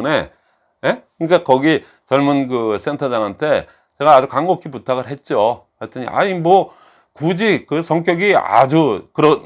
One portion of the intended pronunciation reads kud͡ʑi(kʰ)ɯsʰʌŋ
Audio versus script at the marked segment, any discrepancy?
yes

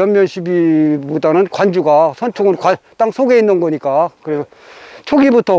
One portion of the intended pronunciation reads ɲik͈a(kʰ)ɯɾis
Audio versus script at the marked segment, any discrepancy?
yes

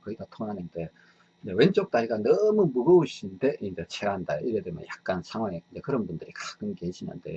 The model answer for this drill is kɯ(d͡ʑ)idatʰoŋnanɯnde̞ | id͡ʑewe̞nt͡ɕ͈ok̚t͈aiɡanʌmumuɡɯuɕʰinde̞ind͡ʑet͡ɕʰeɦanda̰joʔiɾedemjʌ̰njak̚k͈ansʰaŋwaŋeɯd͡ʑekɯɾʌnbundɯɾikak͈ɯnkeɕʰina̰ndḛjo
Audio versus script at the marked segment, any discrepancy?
yes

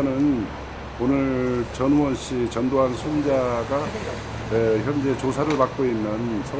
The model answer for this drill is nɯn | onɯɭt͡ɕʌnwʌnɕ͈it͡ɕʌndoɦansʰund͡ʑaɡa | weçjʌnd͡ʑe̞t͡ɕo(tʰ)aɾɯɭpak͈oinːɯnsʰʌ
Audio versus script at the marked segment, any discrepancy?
yes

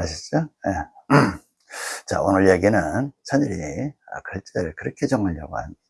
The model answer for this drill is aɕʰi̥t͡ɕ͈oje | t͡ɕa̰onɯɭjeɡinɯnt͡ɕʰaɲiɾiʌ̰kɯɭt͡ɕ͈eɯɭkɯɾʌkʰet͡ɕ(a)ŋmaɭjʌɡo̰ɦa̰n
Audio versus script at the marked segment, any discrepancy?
yes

